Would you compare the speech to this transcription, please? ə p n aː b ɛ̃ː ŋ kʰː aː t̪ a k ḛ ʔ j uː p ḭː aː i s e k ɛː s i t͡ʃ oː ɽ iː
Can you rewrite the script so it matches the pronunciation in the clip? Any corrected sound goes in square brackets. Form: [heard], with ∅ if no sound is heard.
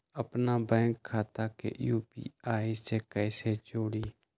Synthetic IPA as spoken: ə p n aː b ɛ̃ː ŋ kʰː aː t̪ a k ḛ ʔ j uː p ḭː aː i s e k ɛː s [e] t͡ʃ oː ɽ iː